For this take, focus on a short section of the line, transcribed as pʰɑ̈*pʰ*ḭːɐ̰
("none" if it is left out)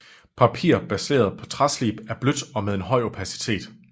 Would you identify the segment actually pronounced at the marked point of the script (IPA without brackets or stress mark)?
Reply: pʰ